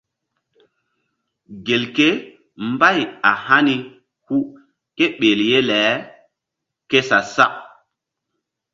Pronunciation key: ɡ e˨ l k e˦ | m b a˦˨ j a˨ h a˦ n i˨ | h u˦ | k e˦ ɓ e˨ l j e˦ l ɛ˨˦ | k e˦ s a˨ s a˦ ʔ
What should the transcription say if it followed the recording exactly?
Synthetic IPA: ɡ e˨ l k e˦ | m b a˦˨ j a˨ h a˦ n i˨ | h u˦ | k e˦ ɓ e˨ l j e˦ l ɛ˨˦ | k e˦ s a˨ s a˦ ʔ